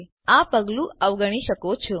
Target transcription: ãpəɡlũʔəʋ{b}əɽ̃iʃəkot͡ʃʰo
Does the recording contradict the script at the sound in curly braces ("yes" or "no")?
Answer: yes